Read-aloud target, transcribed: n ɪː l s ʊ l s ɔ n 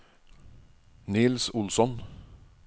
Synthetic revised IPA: n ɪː l s ʊ l s ɔ n